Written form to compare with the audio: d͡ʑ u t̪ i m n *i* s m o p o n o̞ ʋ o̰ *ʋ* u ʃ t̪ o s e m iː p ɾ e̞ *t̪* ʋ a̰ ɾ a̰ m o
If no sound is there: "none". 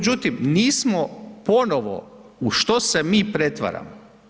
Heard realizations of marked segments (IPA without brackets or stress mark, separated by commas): iː, none, t̪